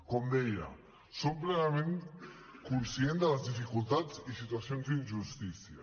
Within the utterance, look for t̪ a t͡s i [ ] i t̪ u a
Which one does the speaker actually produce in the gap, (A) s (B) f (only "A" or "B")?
A